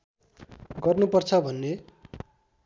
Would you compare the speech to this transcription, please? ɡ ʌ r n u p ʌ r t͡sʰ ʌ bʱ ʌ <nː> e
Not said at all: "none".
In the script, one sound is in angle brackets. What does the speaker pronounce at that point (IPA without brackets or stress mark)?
nː